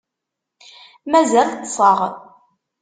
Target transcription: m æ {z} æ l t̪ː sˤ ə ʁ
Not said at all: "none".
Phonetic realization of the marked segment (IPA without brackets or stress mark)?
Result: z